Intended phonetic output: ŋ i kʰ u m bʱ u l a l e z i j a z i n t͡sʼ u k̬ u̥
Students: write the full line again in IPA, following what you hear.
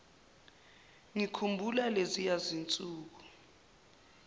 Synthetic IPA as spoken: ŋ i kʰ u m bʱ u l a l e z i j a z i n t͡sʼ uː k̬ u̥